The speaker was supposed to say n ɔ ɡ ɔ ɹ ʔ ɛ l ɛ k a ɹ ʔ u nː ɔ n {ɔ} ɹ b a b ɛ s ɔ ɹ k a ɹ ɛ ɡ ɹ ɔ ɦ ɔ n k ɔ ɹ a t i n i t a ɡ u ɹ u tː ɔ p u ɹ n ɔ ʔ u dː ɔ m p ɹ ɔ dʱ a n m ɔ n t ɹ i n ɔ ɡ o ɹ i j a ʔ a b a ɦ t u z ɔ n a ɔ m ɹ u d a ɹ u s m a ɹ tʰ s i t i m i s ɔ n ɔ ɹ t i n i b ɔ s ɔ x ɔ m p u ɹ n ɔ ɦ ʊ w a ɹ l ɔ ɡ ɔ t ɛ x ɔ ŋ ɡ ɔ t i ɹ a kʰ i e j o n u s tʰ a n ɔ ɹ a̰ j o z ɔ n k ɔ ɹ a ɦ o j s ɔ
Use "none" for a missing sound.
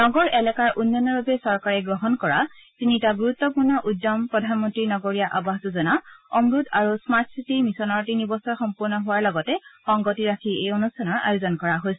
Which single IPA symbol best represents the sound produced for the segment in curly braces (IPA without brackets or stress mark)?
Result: ɔ